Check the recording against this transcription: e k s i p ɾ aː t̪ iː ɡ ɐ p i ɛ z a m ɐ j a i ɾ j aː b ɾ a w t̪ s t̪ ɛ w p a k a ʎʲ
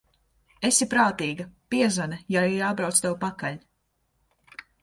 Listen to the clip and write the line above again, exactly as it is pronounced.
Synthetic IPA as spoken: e s i p ɾ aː t̪ iː ɡ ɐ p i ɛ z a n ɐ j a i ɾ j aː b ɾ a w t̪ s t̪ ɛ w p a k a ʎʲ